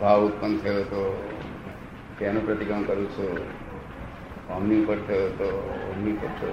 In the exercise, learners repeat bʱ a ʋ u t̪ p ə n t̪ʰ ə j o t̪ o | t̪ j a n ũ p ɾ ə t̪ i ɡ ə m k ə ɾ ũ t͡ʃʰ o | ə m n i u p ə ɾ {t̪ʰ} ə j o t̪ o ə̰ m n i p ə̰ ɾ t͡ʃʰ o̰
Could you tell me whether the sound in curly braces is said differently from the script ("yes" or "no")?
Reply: no